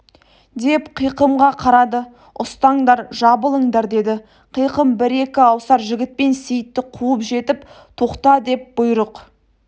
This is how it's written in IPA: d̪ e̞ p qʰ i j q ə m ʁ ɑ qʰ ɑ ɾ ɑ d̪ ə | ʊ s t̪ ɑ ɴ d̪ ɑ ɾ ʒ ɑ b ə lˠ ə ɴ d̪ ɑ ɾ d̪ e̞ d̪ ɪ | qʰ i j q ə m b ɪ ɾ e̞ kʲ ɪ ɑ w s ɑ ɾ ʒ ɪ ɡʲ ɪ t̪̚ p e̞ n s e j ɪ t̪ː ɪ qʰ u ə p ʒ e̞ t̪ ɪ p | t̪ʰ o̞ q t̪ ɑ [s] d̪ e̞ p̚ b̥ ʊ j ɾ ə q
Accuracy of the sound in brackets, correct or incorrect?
incorrect